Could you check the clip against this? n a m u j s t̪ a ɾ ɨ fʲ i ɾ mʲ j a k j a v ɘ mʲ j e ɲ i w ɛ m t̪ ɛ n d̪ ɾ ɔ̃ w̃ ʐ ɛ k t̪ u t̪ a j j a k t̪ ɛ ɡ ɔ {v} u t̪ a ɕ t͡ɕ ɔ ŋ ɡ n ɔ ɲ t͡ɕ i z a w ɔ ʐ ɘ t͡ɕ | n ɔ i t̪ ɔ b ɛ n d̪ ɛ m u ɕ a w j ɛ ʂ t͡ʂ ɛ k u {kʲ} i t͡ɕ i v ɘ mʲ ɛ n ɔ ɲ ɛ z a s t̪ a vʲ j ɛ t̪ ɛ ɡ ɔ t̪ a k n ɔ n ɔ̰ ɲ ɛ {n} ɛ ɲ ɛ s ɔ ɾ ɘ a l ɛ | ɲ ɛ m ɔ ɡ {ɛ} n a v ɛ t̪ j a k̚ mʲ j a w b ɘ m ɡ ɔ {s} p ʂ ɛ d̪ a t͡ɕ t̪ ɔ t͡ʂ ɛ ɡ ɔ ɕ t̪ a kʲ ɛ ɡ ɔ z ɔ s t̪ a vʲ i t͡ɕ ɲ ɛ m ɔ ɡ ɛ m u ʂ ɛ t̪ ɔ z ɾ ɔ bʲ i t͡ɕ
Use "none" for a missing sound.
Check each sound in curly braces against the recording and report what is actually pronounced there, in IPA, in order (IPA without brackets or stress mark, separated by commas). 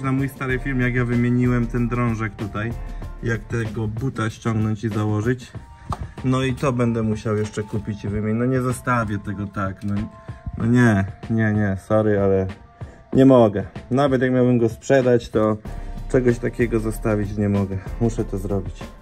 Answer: b, pʲ, ɲ, ɛ, s